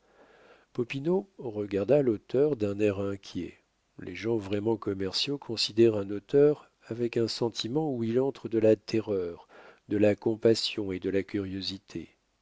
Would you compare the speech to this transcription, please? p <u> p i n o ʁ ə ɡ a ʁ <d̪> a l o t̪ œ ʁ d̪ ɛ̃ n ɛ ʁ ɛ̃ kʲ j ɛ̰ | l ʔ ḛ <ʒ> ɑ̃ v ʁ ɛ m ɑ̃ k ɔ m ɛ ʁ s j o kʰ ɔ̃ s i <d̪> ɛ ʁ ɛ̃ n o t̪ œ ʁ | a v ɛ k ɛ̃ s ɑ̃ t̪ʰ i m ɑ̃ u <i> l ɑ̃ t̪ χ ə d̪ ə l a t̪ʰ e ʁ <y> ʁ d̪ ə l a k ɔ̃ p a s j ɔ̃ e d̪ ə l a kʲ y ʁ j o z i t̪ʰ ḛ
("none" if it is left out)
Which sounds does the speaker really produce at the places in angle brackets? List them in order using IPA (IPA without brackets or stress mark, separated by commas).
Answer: ɔ, d̪, ʒ, d̪, i, œ